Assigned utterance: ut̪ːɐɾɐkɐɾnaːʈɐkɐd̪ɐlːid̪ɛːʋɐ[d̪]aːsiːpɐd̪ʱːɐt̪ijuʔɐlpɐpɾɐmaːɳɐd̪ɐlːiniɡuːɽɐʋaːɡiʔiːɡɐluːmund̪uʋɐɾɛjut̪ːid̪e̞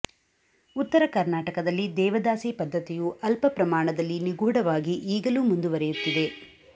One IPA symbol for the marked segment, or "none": d̪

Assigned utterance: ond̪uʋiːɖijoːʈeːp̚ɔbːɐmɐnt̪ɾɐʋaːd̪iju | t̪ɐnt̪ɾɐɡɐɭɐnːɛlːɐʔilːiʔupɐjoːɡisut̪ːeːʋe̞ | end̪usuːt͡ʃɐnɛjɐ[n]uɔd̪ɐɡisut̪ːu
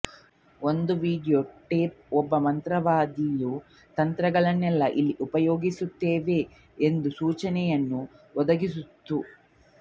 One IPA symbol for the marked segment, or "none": nː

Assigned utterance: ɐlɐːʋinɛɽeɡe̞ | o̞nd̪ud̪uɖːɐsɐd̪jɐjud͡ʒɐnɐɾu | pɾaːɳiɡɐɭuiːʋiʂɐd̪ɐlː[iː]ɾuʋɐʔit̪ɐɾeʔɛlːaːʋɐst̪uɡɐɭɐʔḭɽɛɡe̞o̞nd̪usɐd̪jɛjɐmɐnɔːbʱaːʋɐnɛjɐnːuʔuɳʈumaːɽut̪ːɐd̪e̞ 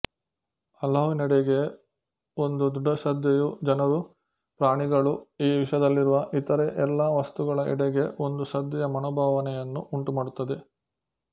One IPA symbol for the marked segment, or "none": i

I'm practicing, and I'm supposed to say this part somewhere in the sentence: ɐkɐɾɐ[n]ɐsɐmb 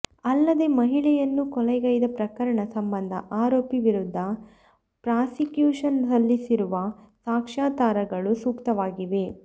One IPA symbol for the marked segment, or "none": ɳ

